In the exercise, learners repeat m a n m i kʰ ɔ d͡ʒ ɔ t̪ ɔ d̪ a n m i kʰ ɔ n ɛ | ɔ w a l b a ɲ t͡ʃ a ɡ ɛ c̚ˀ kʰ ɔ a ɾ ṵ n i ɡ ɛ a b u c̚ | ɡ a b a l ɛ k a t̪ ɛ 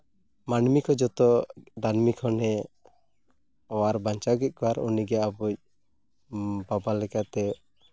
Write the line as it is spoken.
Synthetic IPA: m a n m i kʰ ɔ d͡ʒ ɔ t̪ ɔ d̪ a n m i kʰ ɔ n ɛ | ɔ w a ɾ b a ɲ t͡ʃ a ɡ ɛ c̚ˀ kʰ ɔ a ɾ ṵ n i ɡ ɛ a b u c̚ | b a b a l ɛ k a t̪ ɛ